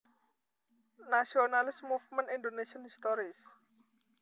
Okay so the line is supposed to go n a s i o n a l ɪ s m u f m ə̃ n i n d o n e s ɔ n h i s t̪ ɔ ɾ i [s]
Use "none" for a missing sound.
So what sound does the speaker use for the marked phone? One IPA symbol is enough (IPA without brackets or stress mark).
s